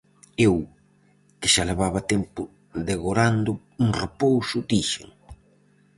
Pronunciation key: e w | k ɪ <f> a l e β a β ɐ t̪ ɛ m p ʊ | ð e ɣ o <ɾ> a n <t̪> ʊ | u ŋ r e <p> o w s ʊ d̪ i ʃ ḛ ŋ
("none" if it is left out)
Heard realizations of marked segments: ʃ, ɾ, d̪, p

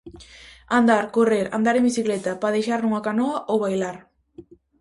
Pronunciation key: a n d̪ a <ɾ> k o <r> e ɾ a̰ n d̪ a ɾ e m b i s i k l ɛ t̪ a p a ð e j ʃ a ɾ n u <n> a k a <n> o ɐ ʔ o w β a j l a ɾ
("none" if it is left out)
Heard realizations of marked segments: ɾ, r, ŋ, n

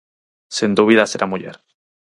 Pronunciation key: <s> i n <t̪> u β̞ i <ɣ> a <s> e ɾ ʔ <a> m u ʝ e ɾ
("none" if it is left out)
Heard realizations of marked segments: s, d̪, ð, s, a

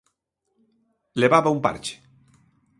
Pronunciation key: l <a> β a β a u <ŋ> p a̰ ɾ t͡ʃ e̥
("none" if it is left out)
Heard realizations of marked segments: e, m

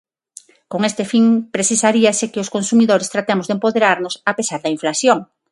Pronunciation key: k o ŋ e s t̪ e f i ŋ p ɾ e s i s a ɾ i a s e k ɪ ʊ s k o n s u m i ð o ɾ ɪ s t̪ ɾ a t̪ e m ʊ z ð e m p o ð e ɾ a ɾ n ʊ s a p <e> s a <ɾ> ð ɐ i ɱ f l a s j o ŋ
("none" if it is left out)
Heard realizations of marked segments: e, ɾ

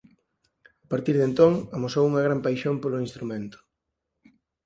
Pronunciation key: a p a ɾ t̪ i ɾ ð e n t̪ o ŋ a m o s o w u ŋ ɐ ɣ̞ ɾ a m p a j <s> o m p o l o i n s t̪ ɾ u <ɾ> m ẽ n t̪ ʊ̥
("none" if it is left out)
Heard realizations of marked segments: ʃ, none

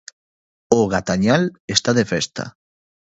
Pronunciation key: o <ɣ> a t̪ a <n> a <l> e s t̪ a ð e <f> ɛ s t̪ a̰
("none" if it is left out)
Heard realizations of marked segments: ɣ, ɲ, l, f

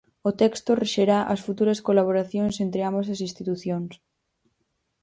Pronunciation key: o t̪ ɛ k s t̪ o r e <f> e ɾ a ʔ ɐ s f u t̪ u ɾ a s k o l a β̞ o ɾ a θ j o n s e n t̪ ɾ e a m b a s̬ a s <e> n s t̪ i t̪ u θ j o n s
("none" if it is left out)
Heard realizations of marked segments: ʃ, i

